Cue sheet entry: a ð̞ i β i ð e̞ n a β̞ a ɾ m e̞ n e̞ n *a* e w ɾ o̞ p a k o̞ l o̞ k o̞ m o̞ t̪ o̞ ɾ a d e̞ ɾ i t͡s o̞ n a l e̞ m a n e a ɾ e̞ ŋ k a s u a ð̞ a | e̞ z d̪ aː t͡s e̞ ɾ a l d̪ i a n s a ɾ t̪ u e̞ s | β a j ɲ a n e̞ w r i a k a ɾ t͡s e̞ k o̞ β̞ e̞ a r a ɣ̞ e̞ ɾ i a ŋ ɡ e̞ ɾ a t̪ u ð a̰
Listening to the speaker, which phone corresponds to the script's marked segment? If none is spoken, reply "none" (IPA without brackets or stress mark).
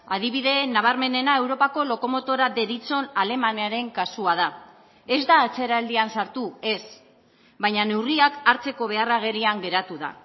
a